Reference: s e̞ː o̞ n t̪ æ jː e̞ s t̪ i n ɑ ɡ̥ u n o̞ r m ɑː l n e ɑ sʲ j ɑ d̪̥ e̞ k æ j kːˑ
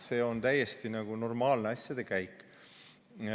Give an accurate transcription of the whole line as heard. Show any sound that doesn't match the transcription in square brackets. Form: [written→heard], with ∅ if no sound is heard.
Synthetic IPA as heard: s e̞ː o̞ n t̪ æ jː e̞ s t̪ i n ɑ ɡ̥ u n o̞ r m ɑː l n e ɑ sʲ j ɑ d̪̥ e̞ k æ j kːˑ